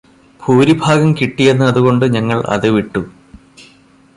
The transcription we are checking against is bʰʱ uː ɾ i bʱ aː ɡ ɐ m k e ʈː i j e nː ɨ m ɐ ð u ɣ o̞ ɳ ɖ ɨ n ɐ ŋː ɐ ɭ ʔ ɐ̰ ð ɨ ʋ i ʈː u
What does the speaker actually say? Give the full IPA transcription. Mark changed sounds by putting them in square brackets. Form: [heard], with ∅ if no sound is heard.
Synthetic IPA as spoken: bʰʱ uː ɾ i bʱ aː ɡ ɐ m k [i] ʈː i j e nː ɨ [∅] ɐ ð u ɣ o̞ ɳ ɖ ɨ [ɲ] ɐ ŋː ɐ ɭ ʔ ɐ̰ ð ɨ ʋ i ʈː u